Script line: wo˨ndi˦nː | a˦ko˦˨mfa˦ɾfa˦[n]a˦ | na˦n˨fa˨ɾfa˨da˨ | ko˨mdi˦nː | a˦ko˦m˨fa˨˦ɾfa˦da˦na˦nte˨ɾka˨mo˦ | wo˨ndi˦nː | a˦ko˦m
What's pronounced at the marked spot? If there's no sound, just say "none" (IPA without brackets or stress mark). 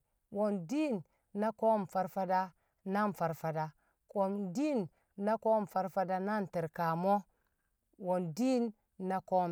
d